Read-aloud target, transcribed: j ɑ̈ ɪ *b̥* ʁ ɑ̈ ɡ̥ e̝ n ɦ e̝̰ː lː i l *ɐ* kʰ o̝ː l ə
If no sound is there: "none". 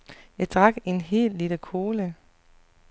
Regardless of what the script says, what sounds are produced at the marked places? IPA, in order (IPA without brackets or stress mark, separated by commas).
d̥, ə